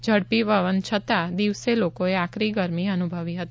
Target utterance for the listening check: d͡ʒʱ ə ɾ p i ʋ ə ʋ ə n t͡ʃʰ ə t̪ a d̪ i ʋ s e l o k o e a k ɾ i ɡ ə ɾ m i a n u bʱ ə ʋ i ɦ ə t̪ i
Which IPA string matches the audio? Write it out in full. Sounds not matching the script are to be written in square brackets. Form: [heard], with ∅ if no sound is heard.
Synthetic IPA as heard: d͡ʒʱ ə [ɽ] p i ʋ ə ʋ ə n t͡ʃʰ ə t̪ a d̪ i ʋ s e l o k o e a k ɾ i ɡ ə ɾ m i [ə] n u bʱ ə ʋ i ɦ ə t̪ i